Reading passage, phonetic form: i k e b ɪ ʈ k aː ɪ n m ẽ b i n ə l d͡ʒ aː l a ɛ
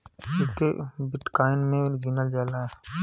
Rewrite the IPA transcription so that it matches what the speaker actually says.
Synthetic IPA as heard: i k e b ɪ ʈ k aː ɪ n m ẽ ɡ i n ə l d͡ʒ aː l a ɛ